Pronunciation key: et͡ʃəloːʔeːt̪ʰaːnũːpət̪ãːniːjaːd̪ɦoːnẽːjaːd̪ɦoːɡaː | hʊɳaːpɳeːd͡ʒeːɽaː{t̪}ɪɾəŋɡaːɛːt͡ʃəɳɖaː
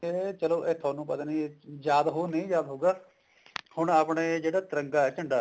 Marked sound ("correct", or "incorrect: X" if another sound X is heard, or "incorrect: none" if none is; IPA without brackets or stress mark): correct